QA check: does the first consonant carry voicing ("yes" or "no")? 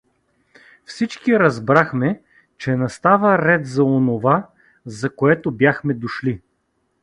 no